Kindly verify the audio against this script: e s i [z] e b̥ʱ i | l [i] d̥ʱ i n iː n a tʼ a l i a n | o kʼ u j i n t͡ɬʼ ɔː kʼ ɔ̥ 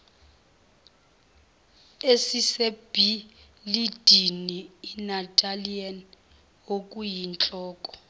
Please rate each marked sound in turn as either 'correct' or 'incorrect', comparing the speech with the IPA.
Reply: incorrect: s, correct

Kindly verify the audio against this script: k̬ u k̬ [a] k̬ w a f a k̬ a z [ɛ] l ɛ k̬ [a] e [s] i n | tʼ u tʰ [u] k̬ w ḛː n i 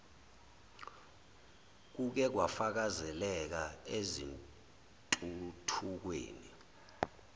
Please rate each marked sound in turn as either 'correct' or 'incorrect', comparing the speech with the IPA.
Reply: incorrect: ɛ, correct, correct, incorrect: z, correct

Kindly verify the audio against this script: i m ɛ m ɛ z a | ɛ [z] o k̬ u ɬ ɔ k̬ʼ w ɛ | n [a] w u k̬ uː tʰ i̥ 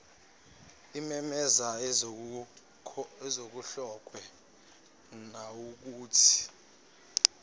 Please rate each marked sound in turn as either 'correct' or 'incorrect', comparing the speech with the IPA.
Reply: correct, correct

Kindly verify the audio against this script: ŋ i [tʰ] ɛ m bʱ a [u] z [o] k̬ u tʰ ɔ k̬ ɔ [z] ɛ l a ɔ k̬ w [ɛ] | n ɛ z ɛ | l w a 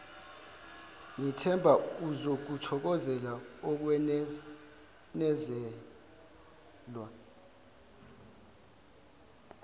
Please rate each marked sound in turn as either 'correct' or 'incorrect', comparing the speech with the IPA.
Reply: correct, correct, correct, correct, correct

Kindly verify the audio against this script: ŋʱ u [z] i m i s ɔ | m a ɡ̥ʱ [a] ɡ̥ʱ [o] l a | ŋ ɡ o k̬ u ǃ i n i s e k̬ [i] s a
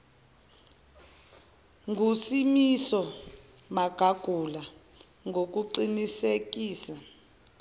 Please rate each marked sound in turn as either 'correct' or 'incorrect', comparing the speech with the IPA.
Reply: incorrect: s, correct, incorrect: u, incorrect: iː

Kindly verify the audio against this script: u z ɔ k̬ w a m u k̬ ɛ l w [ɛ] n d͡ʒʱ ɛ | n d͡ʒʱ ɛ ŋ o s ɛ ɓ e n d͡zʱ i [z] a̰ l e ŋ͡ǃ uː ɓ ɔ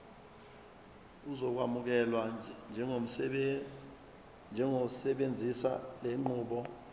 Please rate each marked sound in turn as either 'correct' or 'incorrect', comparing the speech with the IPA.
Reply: incorrect: a, incorrect: s

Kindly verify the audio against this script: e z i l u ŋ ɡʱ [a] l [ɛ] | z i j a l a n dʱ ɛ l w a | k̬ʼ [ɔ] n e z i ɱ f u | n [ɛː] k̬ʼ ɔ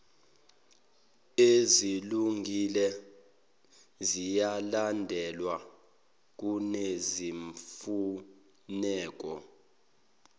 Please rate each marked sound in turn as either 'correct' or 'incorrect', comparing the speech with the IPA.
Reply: incorrect: i, correct, incorrect: u, correct

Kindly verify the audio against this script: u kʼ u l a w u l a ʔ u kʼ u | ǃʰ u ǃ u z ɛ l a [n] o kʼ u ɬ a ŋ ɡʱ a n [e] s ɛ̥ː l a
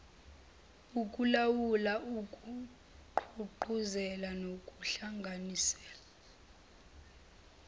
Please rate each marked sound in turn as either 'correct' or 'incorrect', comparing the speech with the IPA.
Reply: correct, incorrect: i

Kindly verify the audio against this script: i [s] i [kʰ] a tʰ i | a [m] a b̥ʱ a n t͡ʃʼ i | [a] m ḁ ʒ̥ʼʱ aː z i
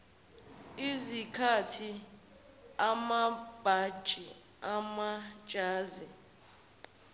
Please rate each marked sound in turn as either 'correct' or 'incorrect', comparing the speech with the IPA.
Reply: incorrect: z, correct, correct, correct

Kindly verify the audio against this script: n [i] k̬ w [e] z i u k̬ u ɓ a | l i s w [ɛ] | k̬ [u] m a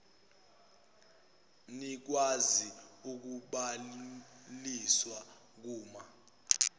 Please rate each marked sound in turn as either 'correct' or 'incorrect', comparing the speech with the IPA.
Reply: correct, incorrect: a, incorrect: a, incorrect: uː

